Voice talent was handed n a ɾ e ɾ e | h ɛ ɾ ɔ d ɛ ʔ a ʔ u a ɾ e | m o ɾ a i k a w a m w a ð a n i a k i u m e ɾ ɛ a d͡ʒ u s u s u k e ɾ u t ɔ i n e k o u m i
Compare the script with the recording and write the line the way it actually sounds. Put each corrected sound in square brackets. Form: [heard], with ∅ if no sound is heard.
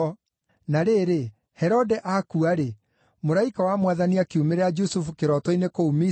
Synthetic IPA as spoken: n a ɾ e ɾ e | h ɛ ɾ ɔ d ɛ ʔ a [k] u a ɾ e | m o ɾ a i k a w a m w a ð a n i a k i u m e ɾ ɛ a d͡ʒ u s u [f] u k e ɾ [ɔ] t ɔ i n e k o u m i